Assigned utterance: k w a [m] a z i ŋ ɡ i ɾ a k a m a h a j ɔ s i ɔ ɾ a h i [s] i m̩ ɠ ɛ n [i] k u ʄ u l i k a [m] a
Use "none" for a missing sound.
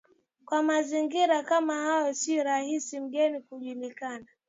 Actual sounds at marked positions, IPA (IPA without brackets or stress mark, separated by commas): m, s, i, n